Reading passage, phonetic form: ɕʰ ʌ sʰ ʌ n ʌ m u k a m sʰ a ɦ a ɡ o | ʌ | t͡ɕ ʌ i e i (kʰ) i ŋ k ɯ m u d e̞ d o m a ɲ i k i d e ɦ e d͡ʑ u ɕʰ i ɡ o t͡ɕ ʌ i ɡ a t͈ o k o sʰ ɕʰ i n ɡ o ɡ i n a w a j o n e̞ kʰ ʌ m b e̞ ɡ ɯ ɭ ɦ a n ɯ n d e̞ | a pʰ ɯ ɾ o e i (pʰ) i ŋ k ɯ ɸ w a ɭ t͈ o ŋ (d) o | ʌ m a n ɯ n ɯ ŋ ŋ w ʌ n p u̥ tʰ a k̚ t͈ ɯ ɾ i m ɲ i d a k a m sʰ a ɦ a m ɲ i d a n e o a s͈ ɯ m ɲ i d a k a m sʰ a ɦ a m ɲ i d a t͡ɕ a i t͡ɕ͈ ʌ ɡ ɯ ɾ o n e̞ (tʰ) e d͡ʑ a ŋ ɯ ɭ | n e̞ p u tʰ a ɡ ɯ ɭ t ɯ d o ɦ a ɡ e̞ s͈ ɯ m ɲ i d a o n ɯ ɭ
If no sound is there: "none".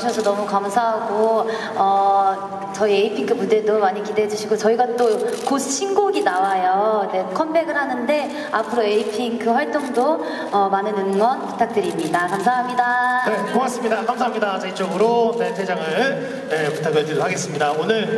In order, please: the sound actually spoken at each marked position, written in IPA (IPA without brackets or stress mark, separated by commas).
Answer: pʰ, pʰ, d, tʰ